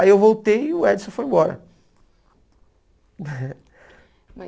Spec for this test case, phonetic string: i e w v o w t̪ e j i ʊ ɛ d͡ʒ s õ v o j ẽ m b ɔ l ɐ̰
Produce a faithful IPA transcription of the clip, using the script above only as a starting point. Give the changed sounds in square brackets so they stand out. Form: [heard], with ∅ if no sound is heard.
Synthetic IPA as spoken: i e w v o w t̪ e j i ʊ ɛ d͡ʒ s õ [f] o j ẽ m b ɔ [ɾ] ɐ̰